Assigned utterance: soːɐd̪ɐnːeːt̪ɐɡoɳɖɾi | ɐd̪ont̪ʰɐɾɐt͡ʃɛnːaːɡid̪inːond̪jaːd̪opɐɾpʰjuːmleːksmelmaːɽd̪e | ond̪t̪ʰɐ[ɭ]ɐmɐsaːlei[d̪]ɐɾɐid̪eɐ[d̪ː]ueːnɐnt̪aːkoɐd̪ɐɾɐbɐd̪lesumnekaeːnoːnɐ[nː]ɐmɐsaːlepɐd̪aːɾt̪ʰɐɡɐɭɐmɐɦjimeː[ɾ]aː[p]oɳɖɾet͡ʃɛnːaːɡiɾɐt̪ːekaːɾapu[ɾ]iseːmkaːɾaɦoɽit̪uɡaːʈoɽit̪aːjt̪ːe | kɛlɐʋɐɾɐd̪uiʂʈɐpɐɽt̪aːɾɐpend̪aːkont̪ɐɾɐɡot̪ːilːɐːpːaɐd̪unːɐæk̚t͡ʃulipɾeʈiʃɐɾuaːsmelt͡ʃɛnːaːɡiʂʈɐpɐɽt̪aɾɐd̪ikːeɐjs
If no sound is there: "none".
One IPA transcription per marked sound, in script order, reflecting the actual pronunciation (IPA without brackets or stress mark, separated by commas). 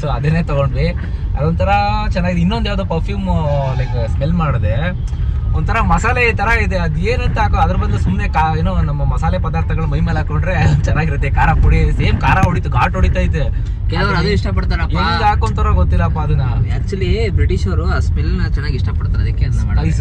ɾ, t̪, d̪, mː, l, k, ɽ